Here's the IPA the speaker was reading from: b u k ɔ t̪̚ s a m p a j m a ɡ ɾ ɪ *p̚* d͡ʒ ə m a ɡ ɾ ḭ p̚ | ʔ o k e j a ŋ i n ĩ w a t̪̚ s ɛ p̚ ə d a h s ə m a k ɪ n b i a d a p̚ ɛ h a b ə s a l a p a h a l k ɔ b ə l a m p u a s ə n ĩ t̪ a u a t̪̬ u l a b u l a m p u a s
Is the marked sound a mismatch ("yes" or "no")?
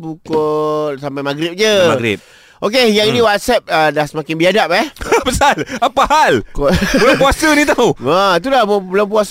no